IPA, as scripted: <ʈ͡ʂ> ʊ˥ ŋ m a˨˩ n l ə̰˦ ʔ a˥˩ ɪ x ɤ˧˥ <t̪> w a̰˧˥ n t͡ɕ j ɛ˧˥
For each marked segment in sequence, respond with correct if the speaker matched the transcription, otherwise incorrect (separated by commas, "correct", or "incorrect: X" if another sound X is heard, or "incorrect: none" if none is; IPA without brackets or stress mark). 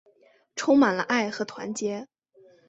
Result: incorrect: ʈ͡ʂʰ, incorrect: t̪ʰ